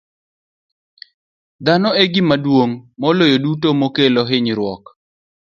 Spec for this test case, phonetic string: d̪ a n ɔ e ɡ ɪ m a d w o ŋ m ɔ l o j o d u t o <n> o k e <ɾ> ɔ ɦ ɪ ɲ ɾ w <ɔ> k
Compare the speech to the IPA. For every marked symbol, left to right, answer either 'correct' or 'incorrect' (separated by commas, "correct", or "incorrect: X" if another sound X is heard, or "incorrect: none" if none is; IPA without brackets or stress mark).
incorrect: m, incorrect: l, correct